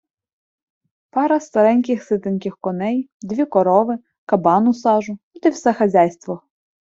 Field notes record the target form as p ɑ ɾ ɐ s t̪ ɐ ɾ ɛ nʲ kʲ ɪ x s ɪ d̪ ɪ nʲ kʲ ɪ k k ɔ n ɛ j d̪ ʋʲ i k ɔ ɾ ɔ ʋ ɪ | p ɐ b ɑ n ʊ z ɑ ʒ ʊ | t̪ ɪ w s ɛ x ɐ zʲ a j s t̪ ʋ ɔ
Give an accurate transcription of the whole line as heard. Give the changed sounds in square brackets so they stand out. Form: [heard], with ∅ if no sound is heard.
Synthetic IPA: p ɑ ɾ ɐ s t̪ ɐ ɾ ɛ nʲ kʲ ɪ x s ɪ [t̪] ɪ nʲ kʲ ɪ [x] k ɔ n ɛ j d̪ ʋʲ i k ɔ ɾ ɔ ʋ ɪ | [k] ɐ b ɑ n ʊ [s] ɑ ʒ ʊ | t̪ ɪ w s ɛ x ɐ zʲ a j s t̪ ʋ ɔ